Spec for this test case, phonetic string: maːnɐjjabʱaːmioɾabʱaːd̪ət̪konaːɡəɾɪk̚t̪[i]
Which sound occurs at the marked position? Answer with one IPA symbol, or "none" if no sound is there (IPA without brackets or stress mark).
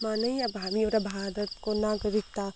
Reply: a